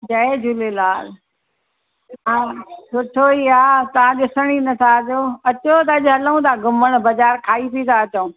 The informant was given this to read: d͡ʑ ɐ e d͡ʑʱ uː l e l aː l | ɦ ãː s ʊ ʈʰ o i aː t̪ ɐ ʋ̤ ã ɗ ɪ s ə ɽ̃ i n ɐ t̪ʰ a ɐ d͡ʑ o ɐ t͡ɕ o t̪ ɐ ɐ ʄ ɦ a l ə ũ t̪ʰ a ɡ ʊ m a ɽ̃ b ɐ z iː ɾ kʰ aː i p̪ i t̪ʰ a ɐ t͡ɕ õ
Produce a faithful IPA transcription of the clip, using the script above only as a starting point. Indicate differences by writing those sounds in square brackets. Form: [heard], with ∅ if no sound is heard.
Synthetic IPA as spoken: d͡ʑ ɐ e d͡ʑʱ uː l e l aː l | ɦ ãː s ʊ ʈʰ o i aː t̪ ɐ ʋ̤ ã ɗ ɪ s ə ɽ̃ i n ɐ t̪ʰ a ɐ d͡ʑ o ɐ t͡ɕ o t̪ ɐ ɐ ʄ ɦ [ɐ] l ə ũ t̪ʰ a ɡ ʊ m [ə] ɽ̃ b ɐ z [aː] ɾ kʰ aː i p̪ i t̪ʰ a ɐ t͡ɕ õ